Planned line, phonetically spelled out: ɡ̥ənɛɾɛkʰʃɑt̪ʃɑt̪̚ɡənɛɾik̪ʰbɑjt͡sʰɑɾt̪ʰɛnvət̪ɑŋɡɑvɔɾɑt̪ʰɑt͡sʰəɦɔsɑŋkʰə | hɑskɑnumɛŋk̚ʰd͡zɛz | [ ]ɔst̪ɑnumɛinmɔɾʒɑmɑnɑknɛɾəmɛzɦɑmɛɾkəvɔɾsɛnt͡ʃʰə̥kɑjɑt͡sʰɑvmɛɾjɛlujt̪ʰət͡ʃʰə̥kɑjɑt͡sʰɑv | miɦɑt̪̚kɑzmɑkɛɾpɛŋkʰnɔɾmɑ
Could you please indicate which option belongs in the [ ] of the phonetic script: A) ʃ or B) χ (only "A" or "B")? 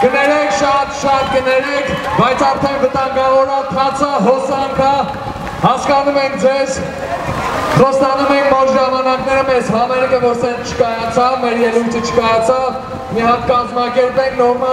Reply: B